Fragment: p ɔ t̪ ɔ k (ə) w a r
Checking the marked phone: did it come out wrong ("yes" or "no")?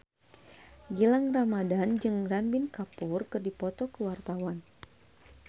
no